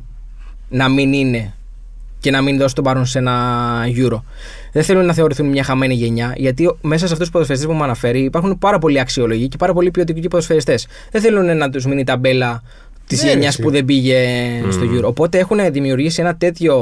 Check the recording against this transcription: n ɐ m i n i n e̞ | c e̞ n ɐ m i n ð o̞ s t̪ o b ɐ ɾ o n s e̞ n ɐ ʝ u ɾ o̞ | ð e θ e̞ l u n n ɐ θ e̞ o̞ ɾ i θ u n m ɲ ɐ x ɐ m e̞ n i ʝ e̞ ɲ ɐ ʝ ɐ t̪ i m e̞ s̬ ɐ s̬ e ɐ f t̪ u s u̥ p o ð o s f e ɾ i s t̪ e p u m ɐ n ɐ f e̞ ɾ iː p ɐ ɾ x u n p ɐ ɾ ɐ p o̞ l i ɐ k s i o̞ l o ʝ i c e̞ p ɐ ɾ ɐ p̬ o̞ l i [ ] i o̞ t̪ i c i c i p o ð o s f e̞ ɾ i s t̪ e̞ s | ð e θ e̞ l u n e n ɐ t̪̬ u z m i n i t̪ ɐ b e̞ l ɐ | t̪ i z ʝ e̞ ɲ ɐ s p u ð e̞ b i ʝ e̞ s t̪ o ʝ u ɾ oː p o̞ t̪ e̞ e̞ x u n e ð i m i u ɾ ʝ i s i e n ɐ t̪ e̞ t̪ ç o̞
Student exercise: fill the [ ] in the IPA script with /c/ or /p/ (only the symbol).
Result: p